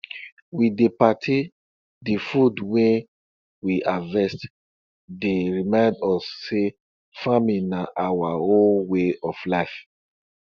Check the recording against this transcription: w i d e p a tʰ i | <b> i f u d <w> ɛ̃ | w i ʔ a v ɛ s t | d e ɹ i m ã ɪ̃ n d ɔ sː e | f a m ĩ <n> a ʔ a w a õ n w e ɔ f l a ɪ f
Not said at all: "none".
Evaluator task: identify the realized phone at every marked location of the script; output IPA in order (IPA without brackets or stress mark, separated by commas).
d, w, n